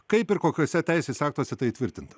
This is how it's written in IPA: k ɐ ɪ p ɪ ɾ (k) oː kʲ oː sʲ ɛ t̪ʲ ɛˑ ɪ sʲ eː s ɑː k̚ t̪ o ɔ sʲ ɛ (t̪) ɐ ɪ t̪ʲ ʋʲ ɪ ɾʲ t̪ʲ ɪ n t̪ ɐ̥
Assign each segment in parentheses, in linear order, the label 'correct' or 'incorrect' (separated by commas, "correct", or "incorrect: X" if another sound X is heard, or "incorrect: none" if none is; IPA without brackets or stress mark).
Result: correct, correct